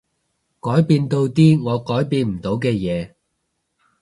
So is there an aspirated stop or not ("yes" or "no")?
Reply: no